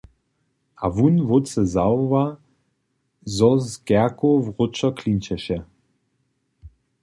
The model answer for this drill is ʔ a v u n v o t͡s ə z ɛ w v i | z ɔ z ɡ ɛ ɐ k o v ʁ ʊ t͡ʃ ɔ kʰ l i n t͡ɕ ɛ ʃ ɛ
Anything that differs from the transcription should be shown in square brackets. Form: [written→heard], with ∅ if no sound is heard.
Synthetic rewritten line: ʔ a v u n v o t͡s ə z [ɛ→a] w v [i→a] | z ɔ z ɡ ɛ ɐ k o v ʁ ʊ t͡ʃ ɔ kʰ l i n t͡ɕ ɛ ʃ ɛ